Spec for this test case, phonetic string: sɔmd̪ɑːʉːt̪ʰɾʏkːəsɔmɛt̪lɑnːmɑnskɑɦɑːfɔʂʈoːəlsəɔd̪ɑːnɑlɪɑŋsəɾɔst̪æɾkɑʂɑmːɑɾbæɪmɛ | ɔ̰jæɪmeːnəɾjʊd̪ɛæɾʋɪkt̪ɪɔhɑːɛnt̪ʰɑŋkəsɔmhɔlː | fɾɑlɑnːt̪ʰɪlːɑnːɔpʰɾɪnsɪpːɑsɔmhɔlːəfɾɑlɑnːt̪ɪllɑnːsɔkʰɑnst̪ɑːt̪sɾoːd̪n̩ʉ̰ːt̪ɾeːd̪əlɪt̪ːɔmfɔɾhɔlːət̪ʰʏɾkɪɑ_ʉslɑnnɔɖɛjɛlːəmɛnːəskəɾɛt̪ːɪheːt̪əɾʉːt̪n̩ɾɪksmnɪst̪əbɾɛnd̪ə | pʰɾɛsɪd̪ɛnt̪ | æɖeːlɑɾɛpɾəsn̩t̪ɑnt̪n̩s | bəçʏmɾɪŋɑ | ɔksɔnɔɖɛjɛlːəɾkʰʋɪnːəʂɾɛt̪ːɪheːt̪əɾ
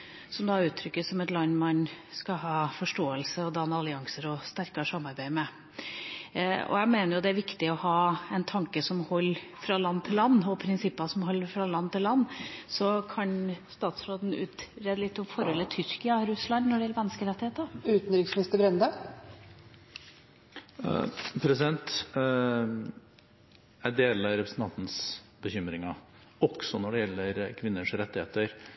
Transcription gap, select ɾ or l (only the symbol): ɾ